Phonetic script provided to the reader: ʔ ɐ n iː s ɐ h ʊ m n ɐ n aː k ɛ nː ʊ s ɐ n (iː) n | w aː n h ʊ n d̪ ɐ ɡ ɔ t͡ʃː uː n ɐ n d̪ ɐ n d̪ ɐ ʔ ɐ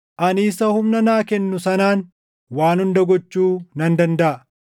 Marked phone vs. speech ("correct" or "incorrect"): incorrect